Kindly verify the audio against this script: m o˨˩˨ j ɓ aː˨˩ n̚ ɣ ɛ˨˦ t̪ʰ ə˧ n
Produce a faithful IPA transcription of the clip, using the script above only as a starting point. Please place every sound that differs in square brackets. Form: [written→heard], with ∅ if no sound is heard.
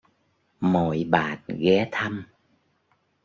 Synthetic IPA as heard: m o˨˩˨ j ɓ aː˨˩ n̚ ɣ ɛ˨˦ t̪ʰ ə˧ [n→m]